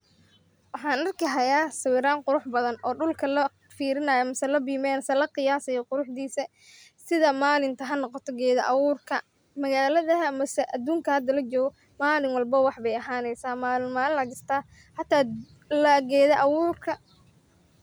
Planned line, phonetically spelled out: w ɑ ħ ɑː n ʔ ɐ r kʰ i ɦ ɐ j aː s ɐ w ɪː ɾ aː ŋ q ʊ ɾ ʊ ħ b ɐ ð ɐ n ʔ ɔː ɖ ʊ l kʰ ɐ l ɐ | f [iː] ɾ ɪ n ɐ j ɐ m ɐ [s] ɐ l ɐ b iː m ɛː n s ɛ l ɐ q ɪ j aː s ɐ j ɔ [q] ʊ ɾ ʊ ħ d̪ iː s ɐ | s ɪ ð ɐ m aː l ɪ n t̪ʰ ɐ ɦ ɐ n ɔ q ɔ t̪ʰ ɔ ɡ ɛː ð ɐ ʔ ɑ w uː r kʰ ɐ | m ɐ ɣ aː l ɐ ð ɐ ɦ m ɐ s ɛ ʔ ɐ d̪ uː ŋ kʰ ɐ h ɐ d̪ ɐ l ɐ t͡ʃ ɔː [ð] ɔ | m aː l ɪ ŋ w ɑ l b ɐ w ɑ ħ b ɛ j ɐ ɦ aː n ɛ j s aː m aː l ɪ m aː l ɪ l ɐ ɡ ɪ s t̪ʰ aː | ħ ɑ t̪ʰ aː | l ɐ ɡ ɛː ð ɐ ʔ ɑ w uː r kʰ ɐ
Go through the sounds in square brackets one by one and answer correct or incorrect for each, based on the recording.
correct, correct, correct, incorrect: ɣ

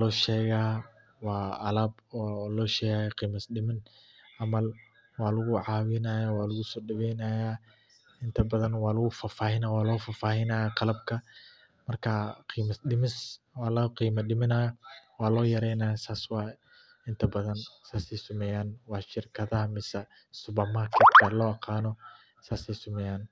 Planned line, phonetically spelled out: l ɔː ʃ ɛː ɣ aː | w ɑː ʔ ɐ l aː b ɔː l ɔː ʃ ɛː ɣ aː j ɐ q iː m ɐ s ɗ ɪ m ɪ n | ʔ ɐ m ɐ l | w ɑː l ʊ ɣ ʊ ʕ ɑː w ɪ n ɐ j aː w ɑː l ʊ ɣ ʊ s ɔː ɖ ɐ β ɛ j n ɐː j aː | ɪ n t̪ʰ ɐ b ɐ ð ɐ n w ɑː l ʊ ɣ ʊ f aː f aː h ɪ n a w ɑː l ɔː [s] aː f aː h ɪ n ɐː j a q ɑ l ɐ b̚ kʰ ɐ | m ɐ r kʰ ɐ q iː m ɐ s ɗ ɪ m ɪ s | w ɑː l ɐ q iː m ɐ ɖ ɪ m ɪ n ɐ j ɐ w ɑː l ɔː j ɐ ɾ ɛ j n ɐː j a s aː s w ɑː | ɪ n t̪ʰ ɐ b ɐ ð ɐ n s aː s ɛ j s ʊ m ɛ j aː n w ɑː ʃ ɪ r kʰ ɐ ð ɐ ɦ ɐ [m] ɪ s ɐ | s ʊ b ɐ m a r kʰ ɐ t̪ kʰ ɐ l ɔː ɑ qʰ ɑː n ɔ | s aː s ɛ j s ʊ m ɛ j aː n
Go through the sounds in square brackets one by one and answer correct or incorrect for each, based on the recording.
incorrect: f, correct

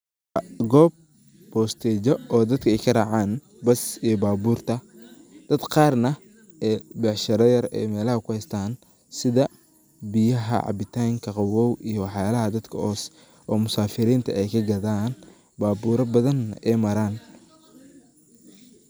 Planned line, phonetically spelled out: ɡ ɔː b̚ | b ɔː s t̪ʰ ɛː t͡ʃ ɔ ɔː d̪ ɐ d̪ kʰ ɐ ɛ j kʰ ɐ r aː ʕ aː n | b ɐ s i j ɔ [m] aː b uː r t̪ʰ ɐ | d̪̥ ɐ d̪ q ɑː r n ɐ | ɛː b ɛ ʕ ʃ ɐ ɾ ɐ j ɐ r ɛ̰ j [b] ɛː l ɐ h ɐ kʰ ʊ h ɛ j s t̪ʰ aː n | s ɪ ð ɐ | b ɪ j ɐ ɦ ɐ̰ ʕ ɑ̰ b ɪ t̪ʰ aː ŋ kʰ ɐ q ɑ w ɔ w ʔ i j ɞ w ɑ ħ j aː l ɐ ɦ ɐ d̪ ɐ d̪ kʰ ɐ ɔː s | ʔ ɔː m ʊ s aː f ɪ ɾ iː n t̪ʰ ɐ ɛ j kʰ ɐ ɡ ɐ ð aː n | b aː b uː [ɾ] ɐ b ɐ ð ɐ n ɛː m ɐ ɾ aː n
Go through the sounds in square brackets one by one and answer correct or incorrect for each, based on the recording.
incorrect: b, incorrect: m, correct

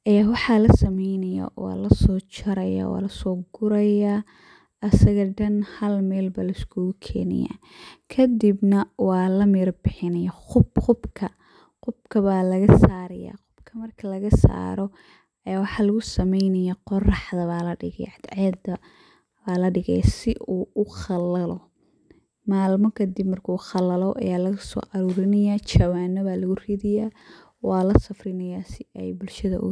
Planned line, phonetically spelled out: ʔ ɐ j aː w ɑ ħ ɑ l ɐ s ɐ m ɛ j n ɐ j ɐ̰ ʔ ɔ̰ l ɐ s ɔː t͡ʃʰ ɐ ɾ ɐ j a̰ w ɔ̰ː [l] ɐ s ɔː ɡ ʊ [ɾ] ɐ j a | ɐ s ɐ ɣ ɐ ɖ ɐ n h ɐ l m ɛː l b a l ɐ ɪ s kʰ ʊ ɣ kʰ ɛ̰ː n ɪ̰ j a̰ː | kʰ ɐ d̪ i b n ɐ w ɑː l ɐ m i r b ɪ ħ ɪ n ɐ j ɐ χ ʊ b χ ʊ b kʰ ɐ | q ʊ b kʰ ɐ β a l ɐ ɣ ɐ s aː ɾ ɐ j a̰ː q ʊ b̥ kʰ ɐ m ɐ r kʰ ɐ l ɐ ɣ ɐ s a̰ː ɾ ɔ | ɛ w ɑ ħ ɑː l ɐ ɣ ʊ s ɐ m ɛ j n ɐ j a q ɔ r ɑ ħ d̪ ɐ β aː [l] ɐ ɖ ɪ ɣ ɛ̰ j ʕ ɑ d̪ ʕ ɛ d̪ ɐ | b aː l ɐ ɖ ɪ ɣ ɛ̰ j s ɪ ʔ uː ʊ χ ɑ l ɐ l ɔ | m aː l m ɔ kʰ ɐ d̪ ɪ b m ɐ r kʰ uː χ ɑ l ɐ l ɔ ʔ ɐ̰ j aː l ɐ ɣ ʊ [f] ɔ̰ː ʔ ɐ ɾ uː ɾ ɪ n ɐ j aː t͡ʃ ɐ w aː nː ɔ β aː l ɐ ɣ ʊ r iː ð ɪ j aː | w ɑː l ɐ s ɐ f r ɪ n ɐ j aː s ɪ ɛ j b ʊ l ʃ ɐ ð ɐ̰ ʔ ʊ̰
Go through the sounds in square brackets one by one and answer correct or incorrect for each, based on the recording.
correct, correct, correct, incorrect: s

